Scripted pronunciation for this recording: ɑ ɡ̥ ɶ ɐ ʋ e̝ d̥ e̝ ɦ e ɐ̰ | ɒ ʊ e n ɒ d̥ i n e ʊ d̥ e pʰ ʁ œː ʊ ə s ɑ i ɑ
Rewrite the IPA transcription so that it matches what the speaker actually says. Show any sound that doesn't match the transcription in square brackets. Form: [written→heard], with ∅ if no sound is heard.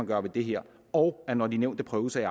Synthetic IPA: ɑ ɡ̥ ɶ ɐ ʋ e̝ d̥ e̝ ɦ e ɐ̰ | ɒ ʊ [e→æ] n ɒ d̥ i n e ʊ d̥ e pʰ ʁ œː ʊ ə s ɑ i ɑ